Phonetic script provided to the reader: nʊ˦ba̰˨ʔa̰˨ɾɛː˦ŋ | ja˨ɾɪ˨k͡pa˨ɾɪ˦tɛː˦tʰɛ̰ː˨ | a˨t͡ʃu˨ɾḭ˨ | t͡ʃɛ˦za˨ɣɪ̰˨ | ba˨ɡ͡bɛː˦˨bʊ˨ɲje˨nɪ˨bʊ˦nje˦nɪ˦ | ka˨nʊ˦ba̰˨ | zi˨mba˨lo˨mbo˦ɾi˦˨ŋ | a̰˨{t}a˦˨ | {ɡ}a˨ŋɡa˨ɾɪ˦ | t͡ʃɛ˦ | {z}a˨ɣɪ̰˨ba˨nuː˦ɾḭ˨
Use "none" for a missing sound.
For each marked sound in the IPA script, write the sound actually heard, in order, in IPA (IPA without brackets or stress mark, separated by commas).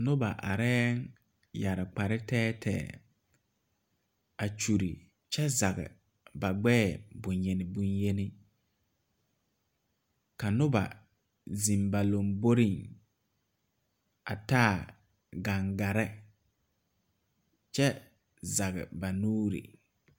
t, ɡ, z